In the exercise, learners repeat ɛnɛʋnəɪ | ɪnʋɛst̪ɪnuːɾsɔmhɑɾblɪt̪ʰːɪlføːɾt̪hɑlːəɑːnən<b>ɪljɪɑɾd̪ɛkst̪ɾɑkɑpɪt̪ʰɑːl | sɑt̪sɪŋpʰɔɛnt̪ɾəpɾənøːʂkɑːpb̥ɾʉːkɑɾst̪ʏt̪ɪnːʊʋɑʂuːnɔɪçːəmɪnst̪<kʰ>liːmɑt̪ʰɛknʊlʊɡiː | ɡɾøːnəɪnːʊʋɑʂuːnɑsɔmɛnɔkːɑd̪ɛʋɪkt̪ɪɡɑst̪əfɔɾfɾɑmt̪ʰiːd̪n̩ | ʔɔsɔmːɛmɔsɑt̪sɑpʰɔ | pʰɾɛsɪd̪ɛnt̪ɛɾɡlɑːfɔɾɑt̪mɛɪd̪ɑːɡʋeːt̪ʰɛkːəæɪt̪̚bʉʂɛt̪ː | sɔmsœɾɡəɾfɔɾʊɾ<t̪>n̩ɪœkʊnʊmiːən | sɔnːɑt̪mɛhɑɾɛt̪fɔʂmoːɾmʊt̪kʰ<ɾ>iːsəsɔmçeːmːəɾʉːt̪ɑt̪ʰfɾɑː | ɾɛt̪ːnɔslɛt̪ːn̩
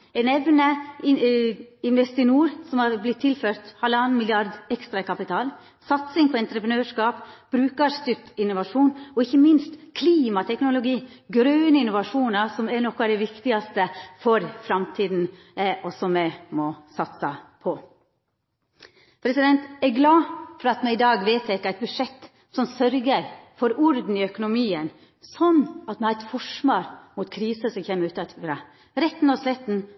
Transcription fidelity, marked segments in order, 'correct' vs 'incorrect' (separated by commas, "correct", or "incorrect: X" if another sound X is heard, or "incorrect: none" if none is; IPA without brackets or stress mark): incorrect: m, correct, incorrect: d̪, correct